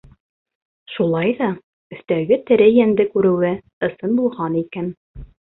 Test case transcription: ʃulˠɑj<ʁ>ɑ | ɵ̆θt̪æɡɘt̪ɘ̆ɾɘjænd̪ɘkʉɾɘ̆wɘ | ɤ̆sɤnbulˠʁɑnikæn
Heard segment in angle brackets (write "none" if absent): ð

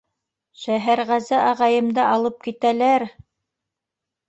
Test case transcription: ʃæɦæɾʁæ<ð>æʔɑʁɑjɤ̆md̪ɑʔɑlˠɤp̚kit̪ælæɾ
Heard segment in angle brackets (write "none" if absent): z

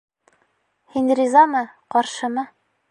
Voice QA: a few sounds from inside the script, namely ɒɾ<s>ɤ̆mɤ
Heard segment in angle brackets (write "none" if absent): ʃ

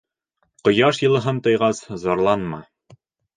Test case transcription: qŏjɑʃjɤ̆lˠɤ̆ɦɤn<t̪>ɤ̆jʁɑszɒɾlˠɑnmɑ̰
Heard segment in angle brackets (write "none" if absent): t̪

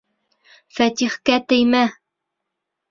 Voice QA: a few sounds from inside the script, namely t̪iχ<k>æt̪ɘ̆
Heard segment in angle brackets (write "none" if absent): k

